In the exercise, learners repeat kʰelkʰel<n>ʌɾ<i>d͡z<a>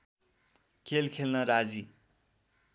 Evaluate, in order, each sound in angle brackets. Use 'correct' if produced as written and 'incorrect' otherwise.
correct, incorrect, incorrect

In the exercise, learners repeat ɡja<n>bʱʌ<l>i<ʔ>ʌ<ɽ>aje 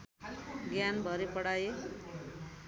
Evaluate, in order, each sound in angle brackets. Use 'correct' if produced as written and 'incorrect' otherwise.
correct, incorrect, incorrect, correct

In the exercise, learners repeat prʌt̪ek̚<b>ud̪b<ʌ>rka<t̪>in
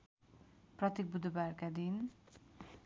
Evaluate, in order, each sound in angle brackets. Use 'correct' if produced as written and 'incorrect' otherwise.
correct, incorrect, incorrect

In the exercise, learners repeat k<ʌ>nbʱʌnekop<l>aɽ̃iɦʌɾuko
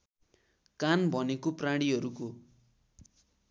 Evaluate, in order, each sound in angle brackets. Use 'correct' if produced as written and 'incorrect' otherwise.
incorrect, incorrect

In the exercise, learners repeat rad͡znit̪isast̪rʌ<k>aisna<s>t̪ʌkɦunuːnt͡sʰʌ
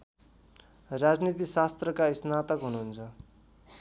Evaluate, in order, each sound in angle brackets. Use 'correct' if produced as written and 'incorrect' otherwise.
correct, incorrect

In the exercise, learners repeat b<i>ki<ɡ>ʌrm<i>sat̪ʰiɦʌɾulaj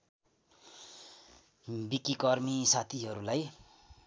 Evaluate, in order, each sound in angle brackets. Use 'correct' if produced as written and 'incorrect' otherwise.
correct, incorrect, correct

